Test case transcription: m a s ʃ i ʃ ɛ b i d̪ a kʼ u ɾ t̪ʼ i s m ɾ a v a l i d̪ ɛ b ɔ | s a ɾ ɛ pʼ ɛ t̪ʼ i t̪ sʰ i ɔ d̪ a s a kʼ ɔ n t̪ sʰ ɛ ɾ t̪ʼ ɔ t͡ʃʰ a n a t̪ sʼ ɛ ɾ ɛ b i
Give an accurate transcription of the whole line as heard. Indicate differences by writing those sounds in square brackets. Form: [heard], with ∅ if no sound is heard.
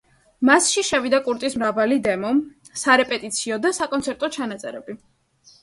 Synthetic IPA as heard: m a s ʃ i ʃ ɛ [v] i d̪ a kʼ u ɾ t̪ʼ i s m ɾ a v a l i d̪ ɛ [m] ɔ | s a ɾ ɛ pʼ ɛ t̪ʼ i t̪ sʰ i ɔ d̪ a s a kʼ ɔ n t̪ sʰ ɛ ɾ t̪ʼ ɔ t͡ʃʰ a n a t̪ sʼ ɛ ɾ ɛ b i